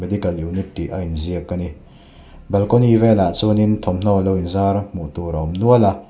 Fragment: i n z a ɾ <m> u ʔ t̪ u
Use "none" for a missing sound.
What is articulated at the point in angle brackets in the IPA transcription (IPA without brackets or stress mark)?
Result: m